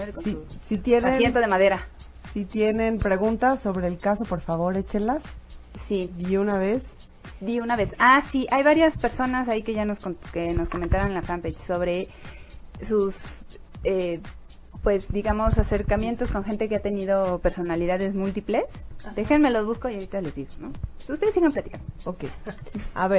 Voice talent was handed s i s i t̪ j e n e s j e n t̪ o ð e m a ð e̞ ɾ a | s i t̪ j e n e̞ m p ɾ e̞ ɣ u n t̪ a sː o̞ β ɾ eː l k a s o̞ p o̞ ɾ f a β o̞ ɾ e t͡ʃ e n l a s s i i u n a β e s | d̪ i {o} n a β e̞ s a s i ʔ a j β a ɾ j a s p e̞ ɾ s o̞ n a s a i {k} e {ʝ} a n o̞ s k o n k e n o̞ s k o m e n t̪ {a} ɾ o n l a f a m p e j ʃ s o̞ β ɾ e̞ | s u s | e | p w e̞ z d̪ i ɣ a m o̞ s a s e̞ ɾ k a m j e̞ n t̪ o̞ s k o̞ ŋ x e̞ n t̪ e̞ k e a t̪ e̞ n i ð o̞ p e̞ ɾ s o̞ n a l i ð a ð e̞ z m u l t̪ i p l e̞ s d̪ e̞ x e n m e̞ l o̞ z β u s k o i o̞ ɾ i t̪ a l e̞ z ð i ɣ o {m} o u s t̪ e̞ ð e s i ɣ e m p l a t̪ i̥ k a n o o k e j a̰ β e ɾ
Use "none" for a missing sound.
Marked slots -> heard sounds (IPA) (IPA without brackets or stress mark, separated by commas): u, k, ʝ, a, n